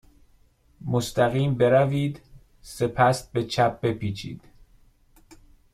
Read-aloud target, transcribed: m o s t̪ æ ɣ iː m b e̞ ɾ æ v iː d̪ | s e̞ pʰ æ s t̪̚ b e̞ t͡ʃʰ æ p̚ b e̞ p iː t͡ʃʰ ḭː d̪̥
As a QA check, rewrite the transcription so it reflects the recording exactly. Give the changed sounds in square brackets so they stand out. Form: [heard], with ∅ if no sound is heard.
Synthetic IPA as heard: m o s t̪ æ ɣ iː m b e̞ ɾ æ v iː d̪ | s e̞ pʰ æ s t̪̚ b e̞ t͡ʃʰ æ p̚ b e̞ p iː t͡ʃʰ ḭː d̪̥